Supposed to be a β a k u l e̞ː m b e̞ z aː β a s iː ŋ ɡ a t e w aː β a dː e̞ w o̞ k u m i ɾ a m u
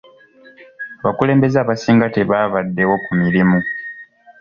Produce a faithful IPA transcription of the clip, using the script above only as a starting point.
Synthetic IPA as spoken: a β a k u l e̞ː m b e̞ z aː β a s iː ŋ ɡ a t e β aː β a dː e̞ w o̞ k u m i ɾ i m u

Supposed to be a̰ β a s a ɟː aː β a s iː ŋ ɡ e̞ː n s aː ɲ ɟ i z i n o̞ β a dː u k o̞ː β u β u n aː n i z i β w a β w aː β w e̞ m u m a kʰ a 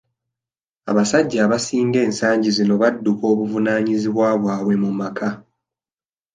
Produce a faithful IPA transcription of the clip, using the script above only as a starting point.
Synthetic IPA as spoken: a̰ β a s a ɟː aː β a s iː ŋ ɡ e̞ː n s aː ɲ ɟ i z i n o̞ β a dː u k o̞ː β u v u n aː ɲ i z i β w a β w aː β w e̞ m u m a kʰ a

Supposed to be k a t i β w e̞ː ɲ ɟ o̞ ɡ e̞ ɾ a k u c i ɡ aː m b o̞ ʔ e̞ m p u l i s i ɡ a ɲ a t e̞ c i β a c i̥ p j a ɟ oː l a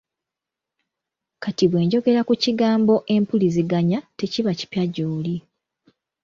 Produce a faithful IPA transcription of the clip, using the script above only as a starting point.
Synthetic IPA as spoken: k a t i β w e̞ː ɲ ɟ o̞ ɡ e̞ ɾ a k u c i ɡ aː m b o̞ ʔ e̞ m p u l i z i ɡ a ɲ a t e̞ c i β a c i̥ p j a ɟ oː l i

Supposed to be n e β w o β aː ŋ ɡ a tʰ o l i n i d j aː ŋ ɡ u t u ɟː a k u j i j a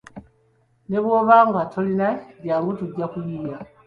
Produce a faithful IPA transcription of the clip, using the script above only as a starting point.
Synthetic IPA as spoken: n e β w o β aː ŋ ɡ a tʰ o l i n a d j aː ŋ ɡ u t u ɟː a k u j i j a

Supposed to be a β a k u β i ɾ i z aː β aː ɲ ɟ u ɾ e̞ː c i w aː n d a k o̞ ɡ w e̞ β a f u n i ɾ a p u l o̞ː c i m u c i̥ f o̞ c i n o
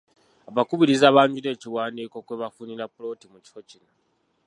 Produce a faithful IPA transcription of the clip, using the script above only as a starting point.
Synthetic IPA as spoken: a β a k u β i ɾ i z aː β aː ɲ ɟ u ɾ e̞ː c i w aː n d i k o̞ k w e̞ β a f u n i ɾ a p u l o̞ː t i m u c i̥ f o̞ c i n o

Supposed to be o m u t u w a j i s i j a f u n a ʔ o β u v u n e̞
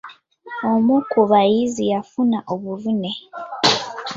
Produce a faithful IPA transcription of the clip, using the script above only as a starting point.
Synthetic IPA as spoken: o m u k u β a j i z i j a f u n a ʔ o β u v u n e̞

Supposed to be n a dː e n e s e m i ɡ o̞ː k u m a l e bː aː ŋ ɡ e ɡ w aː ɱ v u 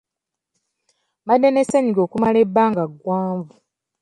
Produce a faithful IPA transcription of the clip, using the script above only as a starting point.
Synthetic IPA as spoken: m a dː e n e s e ɲ i ɡ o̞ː k u m a l e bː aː ŋ ɡ a ɡ w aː ɱ v u

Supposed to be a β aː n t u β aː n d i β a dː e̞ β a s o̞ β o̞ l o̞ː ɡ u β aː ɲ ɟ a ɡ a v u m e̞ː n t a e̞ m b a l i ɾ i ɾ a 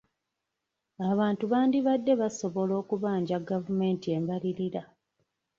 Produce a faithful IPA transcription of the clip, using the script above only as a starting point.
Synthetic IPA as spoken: a β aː n t u β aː n d i β a dː e̞ β a s o̞ β o̞ l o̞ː k u β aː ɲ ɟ a ɡ a v u m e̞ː n t i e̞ m b a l i ɾ i ɾ a

